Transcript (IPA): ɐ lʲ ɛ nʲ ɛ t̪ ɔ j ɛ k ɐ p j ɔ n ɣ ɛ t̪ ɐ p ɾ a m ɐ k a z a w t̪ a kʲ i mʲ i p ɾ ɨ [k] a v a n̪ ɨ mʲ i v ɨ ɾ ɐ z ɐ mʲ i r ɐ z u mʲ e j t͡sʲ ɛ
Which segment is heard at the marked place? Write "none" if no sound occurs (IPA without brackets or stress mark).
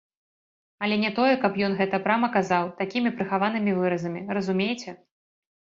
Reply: x